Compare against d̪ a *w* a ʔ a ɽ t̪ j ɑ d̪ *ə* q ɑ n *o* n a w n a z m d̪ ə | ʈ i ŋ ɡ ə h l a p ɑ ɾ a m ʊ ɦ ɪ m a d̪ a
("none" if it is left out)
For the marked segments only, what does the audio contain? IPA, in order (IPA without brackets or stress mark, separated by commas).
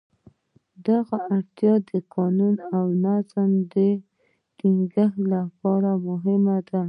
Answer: ɣ, ə, u